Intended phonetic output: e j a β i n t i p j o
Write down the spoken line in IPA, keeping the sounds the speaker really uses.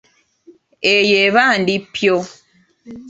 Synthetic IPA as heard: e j e β a n d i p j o